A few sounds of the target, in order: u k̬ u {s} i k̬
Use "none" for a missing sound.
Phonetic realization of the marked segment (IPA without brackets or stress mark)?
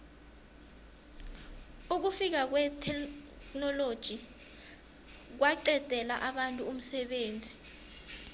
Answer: f